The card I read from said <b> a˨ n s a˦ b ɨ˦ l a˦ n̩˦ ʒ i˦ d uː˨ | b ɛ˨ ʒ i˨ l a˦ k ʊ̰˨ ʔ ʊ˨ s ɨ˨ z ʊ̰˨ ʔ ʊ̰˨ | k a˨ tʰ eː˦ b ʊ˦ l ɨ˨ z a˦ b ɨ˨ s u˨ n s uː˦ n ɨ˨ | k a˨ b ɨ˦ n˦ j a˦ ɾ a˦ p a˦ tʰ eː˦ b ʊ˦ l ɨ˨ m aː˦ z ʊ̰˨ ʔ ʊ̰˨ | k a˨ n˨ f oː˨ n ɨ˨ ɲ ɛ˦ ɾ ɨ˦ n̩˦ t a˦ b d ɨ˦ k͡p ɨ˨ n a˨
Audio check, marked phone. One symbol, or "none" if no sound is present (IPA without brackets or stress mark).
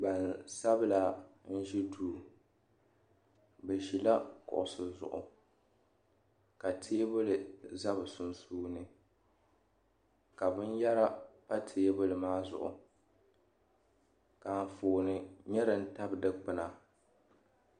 b